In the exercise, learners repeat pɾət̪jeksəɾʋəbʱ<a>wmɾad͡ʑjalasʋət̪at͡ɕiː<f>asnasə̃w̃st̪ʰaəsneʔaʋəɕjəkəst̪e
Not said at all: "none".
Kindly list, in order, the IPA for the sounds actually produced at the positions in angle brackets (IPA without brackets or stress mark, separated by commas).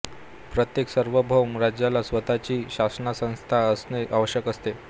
ə, ɕ